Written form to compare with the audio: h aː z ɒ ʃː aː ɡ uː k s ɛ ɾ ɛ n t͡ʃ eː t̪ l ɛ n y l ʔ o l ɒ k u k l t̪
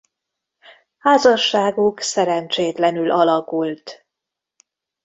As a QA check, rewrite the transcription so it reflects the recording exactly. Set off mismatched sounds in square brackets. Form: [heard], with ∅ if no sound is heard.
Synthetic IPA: h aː z ɒ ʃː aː ɡ [u] k s ɛ ɾ ɛ n t͡ʃ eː t̪ l ɛ n y l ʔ [ɒ] l ɒ k u [∅] l t̪

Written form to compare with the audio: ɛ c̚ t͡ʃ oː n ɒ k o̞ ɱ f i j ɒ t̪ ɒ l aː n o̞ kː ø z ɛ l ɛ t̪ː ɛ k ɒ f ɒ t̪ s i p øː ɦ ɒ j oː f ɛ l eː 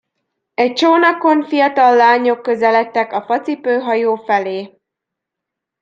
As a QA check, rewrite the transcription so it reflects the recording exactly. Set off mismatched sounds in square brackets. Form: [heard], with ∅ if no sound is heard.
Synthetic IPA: ɛ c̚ t͡ʃ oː n ɒ k o̞ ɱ f i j ɒ t̪ ɒ [lː] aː [ɲ] o̞ kː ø z ɛ l ɛ t̪ː ɛ k ɒ f ɒ t̪ s i p øː ɦ ɒ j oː f ɛ l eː

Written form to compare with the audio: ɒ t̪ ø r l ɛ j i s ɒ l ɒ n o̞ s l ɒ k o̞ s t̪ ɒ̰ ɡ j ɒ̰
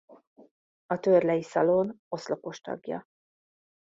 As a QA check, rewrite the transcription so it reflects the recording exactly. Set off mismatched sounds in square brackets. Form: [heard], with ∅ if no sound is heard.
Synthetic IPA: ɒ t̪ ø r l ɛ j i s ɒ l [o] n o̞ s l [o] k o̞ [ʃ] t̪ ɒ̰ ɡ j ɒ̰

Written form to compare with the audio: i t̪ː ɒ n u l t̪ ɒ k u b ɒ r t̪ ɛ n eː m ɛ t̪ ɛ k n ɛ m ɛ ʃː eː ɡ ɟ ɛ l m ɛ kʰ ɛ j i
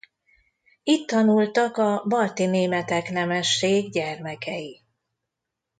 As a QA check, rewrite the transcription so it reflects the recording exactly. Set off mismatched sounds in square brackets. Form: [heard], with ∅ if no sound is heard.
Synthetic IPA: i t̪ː ɒ n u l t̪ ɒ k [ɒ] b ɒ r t̪ [i] n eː m ɛ t̪ ɛ k n ɛ m ɛ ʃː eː ɡ ɟ ɛ [r] m ɛ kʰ ɛ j i

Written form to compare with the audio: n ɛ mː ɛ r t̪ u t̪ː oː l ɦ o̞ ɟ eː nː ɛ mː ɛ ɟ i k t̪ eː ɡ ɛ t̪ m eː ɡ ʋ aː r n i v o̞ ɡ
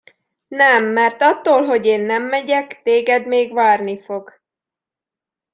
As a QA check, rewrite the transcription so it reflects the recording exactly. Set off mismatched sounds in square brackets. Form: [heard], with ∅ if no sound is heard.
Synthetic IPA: n ɛ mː ɛ r t̪ [ɒ] t̪ː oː l ɦ o̞ ɟ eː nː ɛ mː ɛ ɟ [ɛ] k t̪ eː ɡ ɛ [d̪] m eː ɡ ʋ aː r n i [f] o̞ ɡ

